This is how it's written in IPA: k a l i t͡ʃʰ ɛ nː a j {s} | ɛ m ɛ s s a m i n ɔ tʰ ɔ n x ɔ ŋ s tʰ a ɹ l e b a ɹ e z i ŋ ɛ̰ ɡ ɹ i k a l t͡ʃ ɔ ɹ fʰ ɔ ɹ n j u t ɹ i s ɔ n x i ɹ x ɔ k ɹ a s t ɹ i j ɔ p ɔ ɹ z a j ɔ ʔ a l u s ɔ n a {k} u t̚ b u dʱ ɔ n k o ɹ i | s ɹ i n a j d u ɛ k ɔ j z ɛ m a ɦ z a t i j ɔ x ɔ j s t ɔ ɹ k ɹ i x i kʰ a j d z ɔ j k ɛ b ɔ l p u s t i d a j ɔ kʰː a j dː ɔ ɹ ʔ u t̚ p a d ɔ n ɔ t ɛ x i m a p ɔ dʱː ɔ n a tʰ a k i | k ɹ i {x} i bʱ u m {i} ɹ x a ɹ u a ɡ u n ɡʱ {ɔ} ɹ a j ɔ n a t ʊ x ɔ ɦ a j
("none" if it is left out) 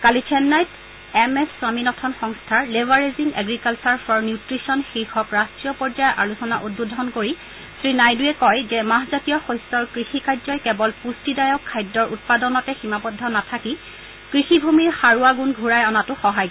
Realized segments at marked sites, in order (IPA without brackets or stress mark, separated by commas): t, ʔ, x, i, u